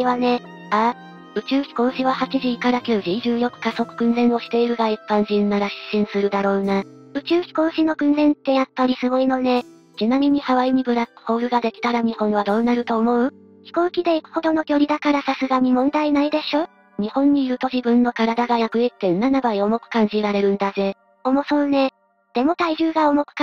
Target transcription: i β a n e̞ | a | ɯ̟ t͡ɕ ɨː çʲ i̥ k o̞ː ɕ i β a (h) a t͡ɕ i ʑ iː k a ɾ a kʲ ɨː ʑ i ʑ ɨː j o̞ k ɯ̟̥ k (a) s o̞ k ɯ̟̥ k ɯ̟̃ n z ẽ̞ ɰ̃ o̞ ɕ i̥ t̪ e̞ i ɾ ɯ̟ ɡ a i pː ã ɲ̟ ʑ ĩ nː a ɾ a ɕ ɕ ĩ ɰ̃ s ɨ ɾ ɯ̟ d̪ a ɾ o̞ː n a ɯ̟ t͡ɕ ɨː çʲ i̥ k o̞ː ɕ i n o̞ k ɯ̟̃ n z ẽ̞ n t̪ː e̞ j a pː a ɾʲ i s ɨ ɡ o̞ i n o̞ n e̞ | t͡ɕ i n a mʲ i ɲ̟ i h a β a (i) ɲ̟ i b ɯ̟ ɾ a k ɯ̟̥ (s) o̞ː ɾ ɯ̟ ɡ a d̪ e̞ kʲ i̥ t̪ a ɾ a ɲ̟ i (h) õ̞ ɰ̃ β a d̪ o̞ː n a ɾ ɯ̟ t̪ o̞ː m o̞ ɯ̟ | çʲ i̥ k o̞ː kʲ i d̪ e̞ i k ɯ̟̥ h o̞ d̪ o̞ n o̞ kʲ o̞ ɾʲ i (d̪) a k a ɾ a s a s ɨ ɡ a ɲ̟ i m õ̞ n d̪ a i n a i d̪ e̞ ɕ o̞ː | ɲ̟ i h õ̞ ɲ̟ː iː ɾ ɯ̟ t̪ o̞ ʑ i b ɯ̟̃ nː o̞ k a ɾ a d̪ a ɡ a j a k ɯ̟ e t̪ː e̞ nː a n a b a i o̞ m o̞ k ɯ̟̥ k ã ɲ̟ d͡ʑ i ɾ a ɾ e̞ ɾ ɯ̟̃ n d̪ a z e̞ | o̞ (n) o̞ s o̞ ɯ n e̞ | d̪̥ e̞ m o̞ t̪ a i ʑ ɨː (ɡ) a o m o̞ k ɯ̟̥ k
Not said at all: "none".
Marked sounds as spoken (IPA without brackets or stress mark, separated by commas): h, a, i, h, h, d̪, m, ɡ